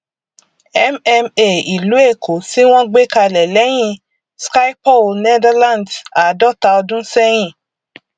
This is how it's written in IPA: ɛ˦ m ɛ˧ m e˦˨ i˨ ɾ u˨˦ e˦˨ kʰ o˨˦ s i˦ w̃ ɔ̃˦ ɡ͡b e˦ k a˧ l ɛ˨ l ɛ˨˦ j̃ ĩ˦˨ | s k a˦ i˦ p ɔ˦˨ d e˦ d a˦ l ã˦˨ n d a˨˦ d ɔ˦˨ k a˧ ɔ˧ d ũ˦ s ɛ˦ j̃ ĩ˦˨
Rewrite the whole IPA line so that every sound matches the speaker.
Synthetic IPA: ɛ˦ m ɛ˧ m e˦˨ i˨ l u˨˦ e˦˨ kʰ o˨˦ s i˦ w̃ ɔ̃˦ ɡ͡b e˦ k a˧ l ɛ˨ l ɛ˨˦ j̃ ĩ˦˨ | s k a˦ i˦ p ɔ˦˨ n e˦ d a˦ l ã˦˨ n d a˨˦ d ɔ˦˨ t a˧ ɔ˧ d ũ˦ s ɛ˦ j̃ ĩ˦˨